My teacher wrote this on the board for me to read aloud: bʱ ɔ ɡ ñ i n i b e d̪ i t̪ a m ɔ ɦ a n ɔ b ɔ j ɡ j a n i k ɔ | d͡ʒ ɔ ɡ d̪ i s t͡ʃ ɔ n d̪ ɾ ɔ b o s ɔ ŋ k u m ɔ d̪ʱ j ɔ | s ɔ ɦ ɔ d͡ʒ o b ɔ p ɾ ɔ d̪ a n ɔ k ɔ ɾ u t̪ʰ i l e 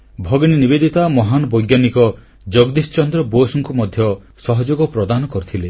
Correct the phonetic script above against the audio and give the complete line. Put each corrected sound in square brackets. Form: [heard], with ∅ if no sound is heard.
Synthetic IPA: bʱ ɔ ɡ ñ i n i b e d̪ i t̪ a m ɔ ɦ a n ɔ b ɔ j ɡ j a n i k ɔ | d͡ʒ ɔ ɡ d̪ i s t͡ʃ ɔ n d̪ ɾ ɔ b o s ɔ ŋ k u m ɔ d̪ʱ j ɔ | s ɔ ɦ ɔ d͡ʒ o [ɡ] ɔ p ɾ ɔ d̪ a n ɔ k ɔ ɾ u t̪ʰ i l e